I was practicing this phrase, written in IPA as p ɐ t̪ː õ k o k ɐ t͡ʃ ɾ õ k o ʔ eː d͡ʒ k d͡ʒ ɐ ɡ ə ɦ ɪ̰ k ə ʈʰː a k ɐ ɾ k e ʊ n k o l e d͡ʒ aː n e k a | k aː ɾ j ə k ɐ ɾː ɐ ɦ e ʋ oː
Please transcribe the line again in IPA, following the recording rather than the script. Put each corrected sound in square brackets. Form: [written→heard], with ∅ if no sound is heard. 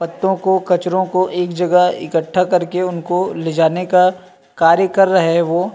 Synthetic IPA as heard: p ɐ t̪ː õ k o k ɐ t͡ʃ ɾ õ k o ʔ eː [d͡ʒ→∅] k d͡ʒ ɐ ɡ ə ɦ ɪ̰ k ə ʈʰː a k ɐ ɾ k e ʊ n k o l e d͡ʒ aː n e k a | k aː ɾ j ə k ɐ ɾː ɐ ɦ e ʋ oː